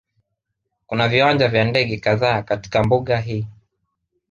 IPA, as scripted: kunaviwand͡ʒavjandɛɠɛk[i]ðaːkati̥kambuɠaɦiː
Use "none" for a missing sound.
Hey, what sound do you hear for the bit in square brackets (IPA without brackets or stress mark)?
a